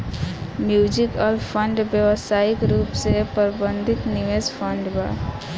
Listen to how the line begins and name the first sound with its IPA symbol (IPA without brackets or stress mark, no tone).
m